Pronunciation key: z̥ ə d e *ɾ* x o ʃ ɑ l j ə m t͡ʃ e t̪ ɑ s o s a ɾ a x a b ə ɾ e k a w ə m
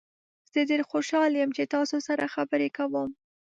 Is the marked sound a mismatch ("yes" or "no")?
no